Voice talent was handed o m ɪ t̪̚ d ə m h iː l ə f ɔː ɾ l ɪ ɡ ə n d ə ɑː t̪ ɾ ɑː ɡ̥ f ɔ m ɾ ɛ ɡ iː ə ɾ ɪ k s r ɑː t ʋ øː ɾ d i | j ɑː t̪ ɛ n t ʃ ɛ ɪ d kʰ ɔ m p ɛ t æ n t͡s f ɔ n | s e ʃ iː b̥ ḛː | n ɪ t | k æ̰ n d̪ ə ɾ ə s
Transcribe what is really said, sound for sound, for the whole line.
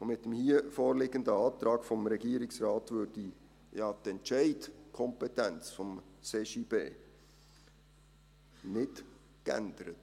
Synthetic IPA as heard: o m ɪ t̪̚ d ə m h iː ə f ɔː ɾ l ɪ ɡ ə n d ə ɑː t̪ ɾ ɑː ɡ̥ f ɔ m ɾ ɛ ɡ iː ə ɾ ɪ k s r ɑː t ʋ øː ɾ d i | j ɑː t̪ ɛ n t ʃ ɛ ɪ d kʰ ɔ m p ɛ t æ n t͡s f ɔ m | s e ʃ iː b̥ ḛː | n ɪ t | k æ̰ n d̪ ə ɾ ə t